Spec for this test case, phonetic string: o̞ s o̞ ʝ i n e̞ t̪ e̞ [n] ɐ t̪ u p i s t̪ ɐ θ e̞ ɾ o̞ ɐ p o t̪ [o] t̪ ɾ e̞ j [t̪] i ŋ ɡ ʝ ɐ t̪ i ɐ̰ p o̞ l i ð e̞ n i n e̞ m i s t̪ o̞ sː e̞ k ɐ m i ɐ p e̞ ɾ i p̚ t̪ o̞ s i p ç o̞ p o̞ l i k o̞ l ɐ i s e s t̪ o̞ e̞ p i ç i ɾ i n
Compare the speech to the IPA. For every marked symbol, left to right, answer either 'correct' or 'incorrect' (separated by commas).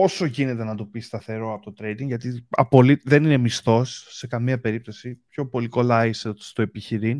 correct, correct, incorrect